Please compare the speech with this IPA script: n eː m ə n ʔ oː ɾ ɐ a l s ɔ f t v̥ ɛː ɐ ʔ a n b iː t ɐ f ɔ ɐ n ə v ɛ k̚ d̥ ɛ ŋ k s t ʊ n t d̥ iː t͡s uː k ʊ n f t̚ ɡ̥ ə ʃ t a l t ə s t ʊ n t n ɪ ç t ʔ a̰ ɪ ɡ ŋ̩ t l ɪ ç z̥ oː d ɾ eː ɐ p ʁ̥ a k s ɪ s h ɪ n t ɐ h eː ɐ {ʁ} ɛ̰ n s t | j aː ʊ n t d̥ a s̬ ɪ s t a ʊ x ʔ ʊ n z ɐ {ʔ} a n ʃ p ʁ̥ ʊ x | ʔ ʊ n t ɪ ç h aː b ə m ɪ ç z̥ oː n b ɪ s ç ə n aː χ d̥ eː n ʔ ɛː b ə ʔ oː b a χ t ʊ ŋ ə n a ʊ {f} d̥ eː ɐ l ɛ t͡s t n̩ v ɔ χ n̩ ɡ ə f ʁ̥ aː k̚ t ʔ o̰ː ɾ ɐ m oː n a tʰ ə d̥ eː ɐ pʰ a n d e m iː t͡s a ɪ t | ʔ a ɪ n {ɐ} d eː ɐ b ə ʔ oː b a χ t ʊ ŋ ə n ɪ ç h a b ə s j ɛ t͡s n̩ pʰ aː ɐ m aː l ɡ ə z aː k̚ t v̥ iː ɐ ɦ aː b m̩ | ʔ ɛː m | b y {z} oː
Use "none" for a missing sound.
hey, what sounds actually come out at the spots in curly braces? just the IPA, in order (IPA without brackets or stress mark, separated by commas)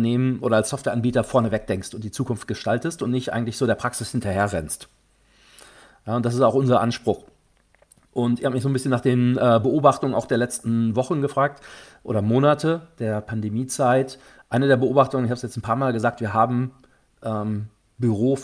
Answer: ʁ, ʔ, x, ə, ʁ